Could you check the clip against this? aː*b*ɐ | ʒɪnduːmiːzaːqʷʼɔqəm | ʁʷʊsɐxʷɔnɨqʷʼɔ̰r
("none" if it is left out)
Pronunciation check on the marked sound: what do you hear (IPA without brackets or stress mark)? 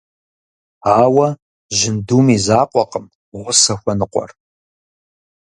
w